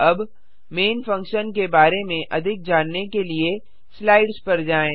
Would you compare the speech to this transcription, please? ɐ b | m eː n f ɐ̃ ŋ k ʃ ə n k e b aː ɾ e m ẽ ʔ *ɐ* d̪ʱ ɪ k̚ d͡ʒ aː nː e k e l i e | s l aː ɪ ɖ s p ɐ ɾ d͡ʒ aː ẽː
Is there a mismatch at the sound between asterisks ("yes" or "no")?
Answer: no